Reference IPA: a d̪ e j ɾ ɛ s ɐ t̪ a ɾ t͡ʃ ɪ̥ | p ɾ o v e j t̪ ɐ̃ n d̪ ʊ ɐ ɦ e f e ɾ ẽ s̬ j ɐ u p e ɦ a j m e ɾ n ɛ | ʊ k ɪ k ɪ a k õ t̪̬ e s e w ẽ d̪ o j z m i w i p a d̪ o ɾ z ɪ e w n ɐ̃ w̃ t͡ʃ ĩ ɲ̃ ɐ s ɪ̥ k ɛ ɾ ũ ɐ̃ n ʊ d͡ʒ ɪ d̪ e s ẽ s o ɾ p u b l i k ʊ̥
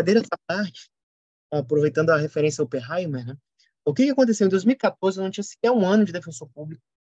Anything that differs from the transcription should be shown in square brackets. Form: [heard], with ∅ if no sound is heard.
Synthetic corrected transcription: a d̪ e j ɾ ɛ s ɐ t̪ a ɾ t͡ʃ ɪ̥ | p ɾ o v e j t̪ ɐ̃ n d̪ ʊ ɐ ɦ e f e ɾ ẽ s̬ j ɐ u p e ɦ a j m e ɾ n ɛ | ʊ k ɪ k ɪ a k õ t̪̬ e s e w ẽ d̪ o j z m i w i [k] a [t̪] o ɾ z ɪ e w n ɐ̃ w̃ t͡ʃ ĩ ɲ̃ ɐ s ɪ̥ k ɛ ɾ ũ ɐ̃ n ʊ d͡ʒ ɪ d̪ e [f] ẽ s o ɾ p u b l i k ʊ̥